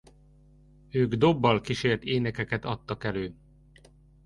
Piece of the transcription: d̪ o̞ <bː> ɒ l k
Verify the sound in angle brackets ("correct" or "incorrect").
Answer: correct